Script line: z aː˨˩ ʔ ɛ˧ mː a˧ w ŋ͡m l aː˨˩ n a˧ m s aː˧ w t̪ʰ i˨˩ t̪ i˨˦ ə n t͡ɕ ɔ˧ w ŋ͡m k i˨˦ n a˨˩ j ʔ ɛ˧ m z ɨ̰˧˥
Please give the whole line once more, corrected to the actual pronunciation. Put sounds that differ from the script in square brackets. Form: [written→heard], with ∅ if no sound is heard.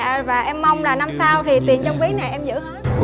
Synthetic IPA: [z→v] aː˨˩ ʔ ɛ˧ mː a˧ w ŋ͡m l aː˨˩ n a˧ m s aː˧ w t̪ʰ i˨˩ t̪ [i˨˦→i˨˩] ə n t͡ɕ ɔ˧ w ŋ͡m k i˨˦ n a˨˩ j ʔ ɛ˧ m z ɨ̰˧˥